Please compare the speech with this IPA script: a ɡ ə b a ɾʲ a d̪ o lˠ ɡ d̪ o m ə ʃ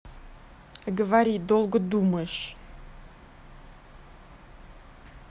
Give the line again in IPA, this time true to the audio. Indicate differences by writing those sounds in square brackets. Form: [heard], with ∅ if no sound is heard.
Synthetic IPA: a ɡ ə [v] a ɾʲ [i] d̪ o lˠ ɡ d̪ [u] m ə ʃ

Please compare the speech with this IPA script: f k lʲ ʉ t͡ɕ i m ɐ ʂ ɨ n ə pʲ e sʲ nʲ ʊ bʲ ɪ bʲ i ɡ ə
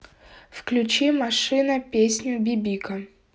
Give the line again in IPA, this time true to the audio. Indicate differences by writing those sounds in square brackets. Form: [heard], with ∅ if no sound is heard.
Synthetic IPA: f k lʲ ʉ t͡ɕ i m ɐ ʂ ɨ n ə pʲ e sʲ nʲ ʊ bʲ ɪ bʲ i [k] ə

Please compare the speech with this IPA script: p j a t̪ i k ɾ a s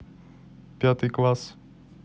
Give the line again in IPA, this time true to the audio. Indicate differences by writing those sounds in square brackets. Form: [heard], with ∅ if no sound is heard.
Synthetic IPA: p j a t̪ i k [l] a s

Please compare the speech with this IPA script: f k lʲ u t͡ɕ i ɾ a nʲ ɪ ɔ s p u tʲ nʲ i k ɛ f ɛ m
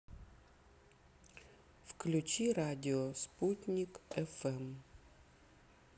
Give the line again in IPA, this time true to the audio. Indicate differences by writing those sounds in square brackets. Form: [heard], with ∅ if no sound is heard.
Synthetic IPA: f k lʲ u t͡ɕ i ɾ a [dʲ] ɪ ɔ s p u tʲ nʲ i k ɛ f ɛ m

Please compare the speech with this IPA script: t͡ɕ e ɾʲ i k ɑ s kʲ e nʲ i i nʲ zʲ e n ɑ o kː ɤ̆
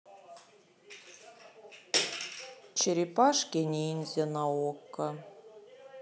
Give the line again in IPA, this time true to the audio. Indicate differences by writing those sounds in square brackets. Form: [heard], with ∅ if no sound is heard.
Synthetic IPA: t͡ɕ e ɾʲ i [p] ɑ [ʂ] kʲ e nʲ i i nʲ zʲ e n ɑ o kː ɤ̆

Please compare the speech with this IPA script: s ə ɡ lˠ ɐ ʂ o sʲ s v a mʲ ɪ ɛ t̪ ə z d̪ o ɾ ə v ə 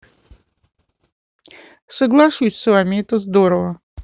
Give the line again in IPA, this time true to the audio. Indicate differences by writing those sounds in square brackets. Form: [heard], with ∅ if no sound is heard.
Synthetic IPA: s ə ɡ lˠ [a] ʂ [u] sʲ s v a mʲ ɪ ɛ t̪ ə z d̪ o ɾ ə v ə

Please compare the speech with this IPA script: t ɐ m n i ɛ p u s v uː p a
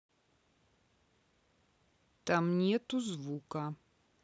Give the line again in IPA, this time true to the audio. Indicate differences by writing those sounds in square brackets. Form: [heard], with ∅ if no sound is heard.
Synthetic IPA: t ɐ m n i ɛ [t] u [z] v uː [k] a

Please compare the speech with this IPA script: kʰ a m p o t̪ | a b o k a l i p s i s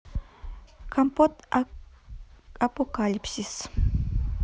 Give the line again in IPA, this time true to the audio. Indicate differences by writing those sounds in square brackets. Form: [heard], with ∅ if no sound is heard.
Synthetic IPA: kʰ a m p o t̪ | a [p] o k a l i p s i s

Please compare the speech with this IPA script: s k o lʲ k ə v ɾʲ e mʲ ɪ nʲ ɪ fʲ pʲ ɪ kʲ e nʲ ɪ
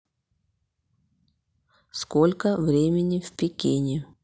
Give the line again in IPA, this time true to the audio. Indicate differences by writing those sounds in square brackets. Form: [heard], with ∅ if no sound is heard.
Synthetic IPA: s k o lʲ k ə v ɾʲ e mʲ ɪ nʲ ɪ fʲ pʲ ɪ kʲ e nʲ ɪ

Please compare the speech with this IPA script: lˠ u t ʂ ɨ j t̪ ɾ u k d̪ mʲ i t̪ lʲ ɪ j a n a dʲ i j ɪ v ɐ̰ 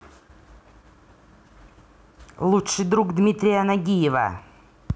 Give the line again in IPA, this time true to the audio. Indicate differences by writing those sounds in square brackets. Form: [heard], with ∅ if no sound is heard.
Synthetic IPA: lˠ u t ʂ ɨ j [d̪] ɾ u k d̪ mʲ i t̪ [ɾʲ] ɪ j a n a [ɡʲ] i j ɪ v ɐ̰

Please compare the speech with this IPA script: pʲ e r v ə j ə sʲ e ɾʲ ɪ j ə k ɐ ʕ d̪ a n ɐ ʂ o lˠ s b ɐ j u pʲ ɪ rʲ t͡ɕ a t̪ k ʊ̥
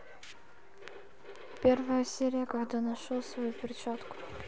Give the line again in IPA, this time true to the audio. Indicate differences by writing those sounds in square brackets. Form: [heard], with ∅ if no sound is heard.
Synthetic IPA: pʲ e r v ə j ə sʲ e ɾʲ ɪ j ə k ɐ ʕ d̪ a n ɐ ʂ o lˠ s [v] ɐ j u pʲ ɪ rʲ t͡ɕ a t̪ k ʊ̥

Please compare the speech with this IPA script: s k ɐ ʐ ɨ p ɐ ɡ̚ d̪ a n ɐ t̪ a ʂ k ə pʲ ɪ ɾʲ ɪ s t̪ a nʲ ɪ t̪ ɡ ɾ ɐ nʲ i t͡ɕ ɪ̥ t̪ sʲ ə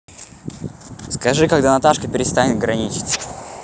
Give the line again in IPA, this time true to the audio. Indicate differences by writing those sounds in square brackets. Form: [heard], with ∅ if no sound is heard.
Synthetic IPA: s k ɐ ʐ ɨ [k] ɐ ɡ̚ d̪ a n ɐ t̪ a ʂ k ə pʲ ɪ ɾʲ ɪ s t̪ a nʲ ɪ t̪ ɡ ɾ ɐ nʲ i t͡ɕ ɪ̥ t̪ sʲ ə

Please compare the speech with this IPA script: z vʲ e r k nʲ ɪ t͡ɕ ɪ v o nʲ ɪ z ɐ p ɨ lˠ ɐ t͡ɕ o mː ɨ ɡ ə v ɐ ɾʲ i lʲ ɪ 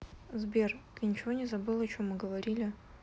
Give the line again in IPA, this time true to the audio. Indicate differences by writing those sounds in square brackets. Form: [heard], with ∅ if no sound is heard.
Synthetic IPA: z [bʲ] e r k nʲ ɪ t͡ɕ ɪ v o nʲ ɪ z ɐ [b] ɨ lˠ ɐ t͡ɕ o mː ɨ ɡ ə v ɐ ɾʲ i lʲ ɪ

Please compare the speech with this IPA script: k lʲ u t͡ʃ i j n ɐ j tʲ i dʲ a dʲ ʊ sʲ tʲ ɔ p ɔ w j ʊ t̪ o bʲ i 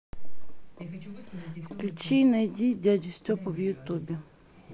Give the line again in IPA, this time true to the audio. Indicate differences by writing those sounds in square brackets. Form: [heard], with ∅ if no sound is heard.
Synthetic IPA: k lʲ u t͡ʃ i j n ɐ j [dʲ] i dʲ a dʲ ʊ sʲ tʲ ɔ p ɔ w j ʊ t̪ [u] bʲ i

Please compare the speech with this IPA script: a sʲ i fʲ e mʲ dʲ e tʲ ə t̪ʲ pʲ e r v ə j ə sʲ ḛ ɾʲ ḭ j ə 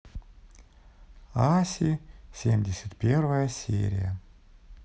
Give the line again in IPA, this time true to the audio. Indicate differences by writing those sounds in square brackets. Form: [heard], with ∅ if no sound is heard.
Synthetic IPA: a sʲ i [sʲ] e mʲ dʲ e [sʲ] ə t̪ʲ pʲ e r v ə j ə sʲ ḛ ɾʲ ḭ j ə

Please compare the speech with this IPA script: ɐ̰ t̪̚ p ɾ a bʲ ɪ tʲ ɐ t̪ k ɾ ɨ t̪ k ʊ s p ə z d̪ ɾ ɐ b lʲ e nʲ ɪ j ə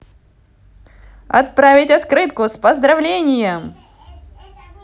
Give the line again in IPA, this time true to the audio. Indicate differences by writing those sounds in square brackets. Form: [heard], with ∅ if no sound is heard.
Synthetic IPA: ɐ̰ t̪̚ p ɾ a [vʲ] ɪ tʲ ɐ t̪ k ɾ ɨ t̪ k ʊ s p ə z d̪ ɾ ɐ [v] lʲ e nʲ ɪ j ə

